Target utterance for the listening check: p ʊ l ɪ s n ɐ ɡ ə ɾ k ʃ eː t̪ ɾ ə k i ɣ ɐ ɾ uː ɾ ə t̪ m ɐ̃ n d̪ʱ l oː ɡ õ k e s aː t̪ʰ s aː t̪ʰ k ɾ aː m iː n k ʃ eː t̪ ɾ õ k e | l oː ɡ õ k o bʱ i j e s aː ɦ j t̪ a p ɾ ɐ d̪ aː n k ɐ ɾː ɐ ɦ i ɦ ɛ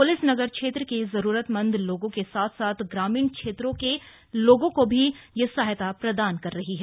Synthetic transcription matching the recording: p ʊ l ɪ s n ɐ ɡ ə ɾ k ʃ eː t̪ ɾ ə k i z ɐ ɾ uː ɾ ə t̪ m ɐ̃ n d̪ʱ l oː ɡ õ k e s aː t̪ʰ s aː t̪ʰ ɡ ɾ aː m iː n k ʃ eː t̪ ɾ õ k e | l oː ɡ õ k o bʱ i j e s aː ɦ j t̪ a p ɾ ɐ d̪ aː n k ɐ ɾː ɐ ɦ i ɦ ɛ